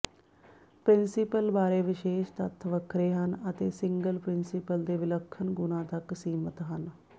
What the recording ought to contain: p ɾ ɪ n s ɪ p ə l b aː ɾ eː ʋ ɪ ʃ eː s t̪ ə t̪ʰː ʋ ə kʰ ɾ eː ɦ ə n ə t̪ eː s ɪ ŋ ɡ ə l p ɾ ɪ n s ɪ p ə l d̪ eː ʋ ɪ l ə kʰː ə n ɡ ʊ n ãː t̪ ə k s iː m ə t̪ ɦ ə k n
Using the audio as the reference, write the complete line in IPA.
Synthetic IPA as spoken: p ɾ ɪ n s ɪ p ə l b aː ɾ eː ʋ ɪ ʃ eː ʃ t̪ ə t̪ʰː ʋ ə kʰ ɾ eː ɦ ə n ə t̪ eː s ɪ ŋ ɡ ə l p ɾ ɪ n s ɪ p ə l d̪ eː ʋ ɪ l ə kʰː ə n ɡ ʊ n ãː t̪ ə k s iː m ə t̪ ɦ ə n

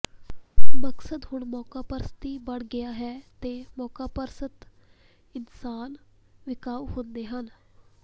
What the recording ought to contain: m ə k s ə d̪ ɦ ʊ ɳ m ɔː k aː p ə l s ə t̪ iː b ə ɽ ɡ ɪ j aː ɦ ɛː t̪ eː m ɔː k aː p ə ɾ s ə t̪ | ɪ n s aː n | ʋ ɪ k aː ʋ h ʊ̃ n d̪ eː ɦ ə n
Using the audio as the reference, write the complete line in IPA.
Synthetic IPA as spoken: m ə k s ə d̪ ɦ ʊ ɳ m ɔː k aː p ə ɾ s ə t̪ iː b ə ɽ ɡ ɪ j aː ɦ ɛː t̪ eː m ɔː k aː p ə ɾ s ə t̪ | ɪ n s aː n | ʋ ɪ k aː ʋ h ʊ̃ n d̪ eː ɦ ə n

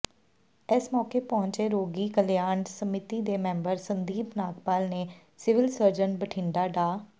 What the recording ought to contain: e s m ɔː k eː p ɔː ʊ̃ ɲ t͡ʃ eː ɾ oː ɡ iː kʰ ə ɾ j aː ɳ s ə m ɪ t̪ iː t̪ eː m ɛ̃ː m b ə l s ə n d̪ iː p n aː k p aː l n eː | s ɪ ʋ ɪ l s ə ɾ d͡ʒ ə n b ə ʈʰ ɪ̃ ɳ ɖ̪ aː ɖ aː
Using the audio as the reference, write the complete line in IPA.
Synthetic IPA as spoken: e s m ɔː k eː p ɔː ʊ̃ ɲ t͡ʃ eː ɾ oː ɡ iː k ə l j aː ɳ s ə m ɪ t̪ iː d̪ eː m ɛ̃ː m b ə ɾ s ə n d̪ iː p n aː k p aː l n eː | s ɪ ʋ ɪ l s ə ɾ d͡ʒ ə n b ə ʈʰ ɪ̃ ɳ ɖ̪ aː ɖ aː

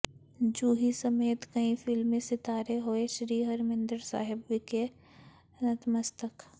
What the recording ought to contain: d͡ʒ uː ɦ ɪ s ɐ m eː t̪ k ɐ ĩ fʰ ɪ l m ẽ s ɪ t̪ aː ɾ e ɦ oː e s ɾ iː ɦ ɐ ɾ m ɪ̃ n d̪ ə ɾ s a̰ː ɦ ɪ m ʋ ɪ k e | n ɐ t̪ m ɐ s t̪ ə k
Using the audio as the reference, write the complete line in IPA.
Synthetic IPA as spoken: d͡ʒ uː ɦ i s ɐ m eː t̪ k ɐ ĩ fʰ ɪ l m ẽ s ɪ t̪ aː ɾ e ɦ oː e ʃ ɾ iː ɦ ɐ ɾ m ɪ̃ n d̪ ə ɾ s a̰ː ɦ ɪ b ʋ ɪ k e | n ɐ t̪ m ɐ s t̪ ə k

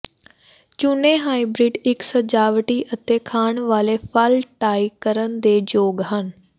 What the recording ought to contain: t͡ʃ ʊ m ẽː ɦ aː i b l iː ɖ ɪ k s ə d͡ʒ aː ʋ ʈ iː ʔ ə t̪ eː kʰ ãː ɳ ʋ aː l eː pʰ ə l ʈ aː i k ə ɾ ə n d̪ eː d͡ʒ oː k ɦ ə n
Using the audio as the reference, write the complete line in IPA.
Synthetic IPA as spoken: t͡ʃ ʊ n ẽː ɦ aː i b ɾ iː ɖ ɪ k s ə d͡ʒ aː ʋ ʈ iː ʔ ə t̪ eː kʰ aː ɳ ʋ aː l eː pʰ ə l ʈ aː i k ə ɾ ə n d̪ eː d͡ʒ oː ɡ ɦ ə n

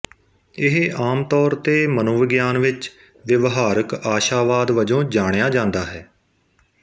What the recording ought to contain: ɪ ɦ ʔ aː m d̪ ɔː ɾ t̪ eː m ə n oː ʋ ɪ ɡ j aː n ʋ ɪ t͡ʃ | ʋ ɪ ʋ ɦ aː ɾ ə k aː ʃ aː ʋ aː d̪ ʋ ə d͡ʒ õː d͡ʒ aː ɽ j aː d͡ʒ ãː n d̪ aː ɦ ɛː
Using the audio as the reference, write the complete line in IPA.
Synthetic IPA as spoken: ɪ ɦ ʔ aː m t̪ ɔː ɾ t̪ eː m ə n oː ʋ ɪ ɡ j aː n ʋ ɪ t͡ʃ | ʋ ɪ ʋ ɦ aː ɾ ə k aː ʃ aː ʋ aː d̪ ʋ ə d͡ʒ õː d͡ʒ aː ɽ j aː d͡ʒ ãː n d̪ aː ɦ ɛː

